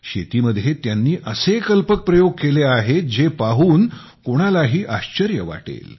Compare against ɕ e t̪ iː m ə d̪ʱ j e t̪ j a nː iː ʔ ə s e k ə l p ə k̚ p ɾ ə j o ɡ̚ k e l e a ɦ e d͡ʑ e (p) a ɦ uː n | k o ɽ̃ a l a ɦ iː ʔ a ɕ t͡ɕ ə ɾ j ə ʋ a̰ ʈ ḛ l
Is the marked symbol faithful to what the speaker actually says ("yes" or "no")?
yes